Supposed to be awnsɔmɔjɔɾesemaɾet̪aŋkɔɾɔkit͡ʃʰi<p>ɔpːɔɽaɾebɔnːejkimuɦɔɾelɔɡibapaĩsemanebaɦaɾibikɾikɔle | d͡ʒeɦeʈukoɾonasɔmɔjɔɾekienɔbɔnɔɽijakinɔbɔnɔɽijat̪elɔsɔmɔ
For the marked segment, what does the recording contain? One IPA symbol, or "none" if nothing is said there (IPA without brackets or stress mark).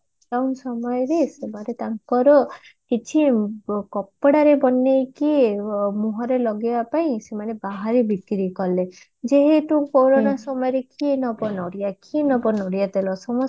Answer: k